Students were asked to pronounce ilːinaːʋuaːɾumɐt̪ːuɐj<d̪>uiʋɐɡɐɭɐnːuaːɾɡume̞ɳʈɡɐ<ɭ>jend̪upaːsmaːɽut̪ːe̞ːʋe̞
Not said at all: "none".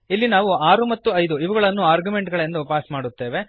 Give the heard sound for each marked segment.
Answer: d̪, ɭ

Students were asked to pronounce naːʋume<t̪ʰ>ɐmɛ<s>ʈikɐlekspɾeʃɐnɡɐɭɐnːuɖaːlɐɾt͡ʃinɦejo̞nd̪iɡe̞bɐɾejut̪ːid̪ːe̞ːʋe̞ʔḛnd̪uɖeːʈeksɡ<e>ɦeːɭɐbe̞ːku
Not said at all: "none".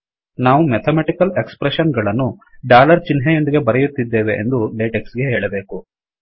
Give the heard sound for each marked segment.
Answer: t̪ʰ, none, e

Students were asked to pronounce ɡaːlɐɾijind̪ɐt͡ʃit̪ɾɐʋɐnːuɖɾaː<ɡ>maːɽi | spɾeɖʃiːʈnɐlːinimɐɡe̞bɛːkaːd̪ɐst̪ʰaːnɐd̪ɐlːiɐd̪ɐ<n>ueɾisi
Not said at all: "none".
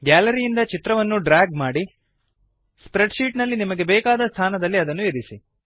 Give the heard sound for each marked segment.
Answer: ɡ, nː

